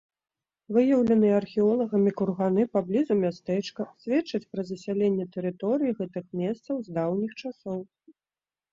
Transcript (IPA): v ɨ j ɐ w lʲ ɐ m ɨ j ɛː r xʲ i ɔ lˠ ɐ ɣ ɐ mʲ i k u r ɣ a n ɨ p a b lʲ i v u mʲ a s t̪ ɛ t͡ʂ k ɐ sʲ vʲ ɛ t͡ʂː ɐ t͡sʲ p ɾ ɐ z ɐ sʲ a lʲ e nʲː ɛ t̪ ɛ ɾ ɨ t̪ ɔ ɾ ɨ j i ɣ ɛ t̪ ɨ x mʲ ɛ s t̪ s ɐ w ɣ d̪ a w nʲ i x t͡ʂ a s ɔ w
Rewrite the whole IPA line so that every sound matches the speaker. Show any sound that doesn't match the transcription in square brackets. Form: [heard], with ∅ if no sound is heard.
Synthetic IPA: v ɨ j ɐ w lʲ ɐ [n] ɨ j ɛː r xʲ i ɔ lˠ ɐ ɣ ɐ mʲ i k u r ɣ a n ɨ p a b lʲ i [z] u mʲ a s t̪ ɛ t͡ʂ k ɐ sʲ vʲ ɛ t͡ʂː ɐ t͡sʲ p ɾ ɐ z ɐ sʲ a lʲ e nʲː ɛ t̪ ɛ ɾ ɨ t̪ ɔ ɾ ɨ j i ɣ ɛ t̪ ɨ x mʲ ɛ s t̪ s ɐ w [z] d̪ a w nʲ i x t͡ʂ a s ɔ w